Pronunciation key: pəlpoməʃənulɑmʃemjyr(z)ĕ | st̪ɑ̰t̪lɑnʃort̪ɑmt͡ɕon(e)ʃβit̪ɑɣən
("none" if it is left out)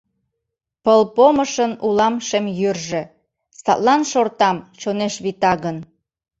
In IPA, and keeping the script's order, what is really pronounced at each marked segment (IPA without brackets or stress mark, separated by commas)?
ʒ, e